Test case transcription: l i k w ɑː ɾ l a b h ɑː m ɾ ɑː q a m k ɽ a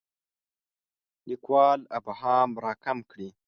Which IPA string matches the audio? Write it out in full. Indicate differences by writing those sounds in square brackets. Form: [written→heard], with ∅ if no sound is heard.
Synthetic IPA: l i k w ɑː [ɾ→∅] l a b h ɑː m ɾ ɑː [q→k] a m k ɽ [a→i]